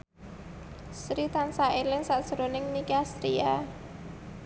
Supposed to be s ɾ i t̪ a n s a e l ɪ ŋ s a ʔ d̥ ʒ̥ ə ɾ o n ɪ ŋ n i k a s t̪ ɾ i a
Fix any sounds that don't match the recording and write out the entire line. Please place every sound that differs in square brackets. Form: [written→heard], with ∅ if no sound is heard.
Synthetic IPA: s ɾ i t̪ a n s a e l ɪ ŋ s a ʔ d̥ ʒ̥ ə ɾ o n ɪ ŋ n i k a s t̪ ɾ i a